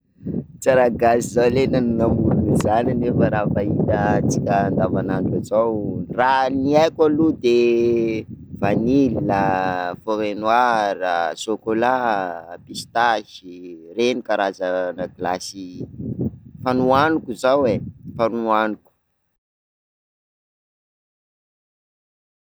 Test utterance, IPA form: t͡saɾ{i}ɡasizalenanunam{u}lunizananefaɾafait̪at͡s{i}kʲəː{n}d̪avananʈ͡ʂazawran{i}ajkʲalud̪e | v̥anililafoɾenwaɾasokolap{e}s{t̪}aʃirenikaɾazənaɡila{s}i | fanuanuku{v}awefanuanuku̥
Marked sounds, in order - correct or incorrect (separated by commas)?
incorrect, correct, correct, correct, correct, incorrect, correct, correct, incorrect